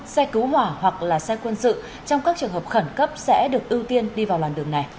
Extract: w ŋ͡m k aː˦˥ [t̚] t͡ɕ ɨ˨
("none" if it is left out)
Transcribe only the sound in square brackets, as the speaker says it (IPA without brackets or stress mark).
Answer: k̚